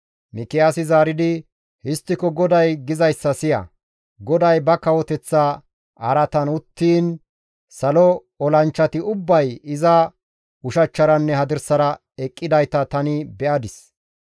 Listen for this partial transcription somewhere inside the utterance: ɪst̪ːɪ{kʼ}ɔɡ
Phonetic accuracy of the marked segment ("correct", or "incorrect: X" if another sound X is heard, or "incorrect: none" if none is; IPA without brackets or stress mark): incorrect: k